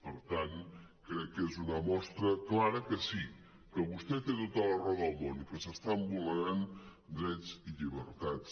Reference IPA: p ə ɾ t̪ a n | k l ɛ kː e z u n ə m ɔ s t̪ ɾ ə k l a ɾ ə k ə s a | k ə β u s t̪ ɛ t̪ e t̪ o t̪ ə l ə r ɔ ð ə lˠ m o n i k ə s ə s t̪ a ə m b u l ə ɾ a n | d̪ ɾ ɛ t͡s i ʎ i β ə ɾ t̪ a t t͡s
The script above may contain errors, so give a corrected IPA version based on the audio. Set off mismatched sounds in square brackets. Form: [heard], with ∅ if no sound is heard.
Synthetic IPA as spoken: p ə ɾ t̪ a n | k [ɾ] ɛ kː e z u n ə m ɔ s t̪ ɾ ə k l a ɾ ə k ə s [i] | k ə β u s t̪ ɛ t̪ e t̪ o t̪ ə l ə r ɔ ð ə lˠ m o n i k ə s ə s t̪ a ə m b u l ə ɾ a n | d̪ ɾ ɛ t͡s i ʎ i β ə ɾ t̪ a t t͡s